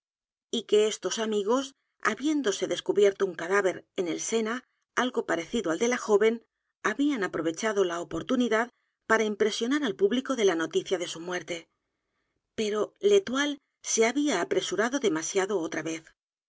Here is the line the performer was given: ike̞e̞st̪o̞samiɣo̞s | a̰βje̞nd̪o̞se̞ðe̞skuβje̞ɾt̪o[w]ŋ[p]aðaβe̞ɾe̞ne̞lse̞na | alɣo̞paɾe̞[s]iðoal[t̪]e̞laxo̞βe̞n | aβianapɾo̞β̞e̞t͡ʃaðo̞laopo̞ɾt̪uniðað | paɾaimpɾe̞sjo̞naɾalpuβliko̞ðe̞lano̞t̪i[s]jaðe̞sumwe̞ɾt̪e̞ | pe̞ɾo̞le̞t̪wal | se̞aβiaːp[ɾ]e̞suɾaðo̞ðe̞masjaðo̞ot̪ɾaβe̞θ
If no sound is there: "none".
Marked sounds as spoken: u, k, θ, d̪, θ, ɾ

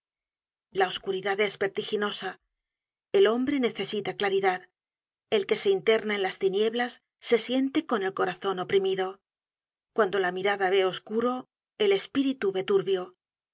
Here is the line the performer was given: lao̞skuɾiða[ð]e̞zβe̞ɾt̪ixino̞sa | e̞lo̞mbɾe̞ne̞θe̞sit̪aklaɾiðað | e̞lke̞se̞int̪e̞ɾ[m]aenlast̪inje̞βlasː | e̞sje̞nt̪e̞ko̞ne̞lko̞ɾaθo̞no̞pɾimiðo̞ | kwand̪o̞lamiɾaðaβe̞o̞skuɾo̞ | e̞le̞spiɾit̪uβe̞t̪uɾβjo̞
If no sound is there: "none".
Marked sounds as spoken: ð, n

